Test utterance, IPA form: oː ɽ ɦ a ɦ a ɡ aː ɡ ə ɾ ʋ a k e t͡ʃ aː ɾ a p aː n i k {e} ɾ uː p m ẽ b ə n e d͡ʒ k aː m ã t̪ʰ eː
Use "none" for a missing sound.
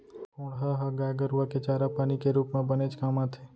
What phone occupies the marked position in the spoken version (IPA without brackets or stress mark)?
e